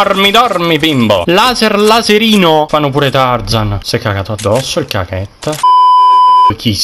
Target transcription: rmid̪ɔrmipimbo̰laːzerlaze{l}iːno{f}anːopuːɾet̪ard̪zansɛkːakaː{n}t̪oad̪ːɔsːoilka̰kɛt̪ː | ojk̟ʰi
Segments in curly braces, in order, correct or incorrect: incorrect: ɾ, correct, incorrect: none

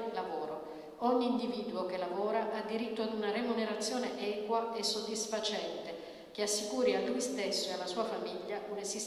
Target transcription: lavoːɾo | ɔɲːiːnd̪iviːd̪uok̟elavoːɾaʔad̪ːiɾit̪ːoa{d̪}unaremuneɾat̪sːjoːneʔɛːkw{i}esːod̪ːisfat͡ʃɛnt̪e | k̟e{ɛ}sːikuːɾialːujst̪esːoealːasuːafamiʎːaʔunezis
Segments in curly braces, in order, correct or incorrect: correct, incorrect: a, incorrect: a

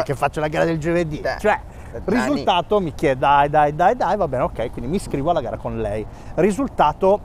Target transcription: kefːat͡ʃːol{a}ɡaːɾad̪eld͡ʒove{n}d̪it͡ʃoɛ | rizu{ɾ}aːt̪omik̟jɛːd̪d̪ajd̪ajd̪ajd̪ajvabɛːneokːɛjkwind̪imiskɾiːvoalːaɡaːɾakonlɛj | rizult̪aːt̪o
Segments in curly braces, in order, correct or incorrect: correct, incorrect: none, incorrect: l

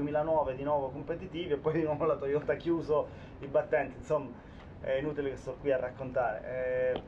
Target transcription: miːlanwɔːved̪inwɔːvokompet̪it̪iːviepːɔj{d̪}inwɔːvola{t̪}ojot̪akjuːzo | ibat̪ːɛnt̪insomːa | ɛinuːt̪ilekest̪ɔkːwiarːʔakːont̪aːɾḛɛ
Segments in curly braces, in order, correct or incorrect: correct, correct

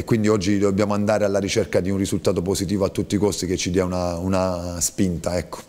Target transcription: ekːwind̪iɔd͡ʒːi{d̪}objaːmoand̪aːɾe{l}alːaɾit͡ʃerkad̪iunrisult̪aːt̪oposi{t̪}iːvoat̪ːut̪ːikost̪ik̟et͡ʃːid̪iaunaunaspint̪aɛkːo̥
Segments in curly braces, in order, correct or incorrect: correct, incorrect: none, correct

